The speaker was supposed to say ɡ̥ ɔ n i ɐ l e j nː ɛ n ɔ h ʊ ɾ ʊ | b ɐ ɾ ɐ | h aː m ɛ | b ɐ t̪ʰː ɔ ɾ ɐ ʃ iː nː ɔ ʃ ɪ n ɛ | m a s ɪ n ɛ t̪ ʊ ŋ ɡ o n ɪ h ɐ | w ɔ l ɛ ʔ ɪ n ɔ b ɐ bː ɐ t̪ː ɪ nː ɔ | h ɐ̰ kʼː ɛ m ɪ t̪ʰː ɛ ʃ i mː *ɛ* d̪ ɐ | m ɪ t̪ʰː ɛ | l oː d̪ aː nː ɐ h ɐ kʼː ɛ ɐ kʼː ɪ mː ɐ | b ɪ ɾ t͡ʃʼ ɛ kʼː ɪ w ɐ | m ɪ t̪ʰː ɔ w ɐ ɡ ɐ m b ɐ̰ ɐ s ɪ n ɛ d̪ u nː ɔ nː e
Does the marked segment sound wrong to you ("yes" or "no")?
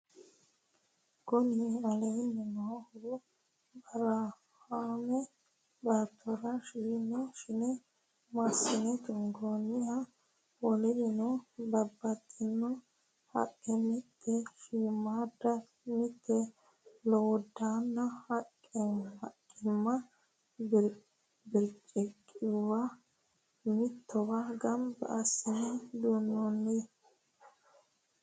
yes